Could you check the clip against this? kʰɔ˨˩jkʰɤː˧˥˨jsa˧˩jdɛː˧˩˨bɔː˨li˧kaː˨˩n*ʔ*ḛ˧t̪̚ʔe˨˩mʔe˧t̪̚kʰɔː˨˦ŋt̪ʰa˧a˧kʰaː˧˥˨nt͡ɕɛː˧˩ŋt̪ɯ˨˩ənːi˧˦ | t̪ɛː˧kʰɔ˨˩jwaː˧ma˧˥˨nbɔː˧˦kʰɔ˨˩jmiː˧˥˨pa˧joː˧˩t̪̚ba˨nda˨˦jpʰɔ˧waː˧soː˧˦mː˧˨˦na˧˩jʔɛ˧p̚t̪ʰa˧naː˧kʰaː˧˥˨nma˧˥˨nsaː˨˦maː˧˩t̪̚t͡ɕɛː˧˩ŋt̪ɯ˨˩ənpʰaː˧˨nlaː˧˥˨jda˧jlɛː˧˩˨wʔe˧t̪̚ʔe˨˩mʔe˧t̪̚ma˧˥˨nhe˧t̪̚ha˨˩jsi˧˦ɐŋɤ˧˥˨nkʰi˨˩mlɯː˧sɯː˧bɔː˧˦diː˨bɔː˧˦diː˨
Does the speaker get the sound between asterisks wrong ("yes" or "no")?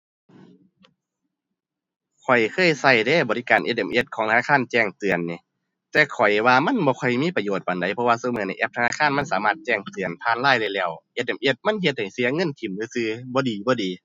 no